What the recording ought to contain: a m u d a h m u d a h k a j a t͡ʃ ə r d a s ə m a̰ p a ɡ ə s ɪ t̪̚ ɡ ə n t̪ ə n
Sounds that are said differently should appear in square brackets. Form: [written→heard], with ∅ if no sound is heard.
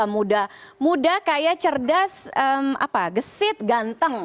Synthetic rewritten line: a m u d a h m u d a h k a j a t͡ʃ ə r d a s ə m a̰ p a ɡ ə s ɪ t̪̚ ɡ [ə→a] n t̪ ə [n→ŋ]